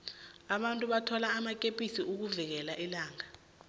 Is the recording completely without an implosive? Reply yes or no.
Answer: no